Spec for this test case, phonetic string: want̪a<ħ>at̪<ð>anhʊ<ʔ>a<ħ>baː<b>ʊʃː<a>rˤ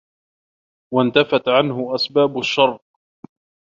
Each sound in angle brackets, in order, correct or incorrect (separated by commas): incorrect, incorrect, correct, incorrect, correct, incorrect